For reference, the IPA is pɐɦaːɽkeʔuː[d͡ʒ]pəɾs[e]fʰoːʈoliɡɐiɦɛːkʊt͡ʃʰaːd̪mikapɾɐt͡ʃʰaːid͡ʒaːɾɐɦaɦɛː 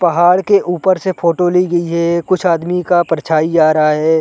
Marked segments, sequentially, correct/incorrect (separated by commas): incorrect, correct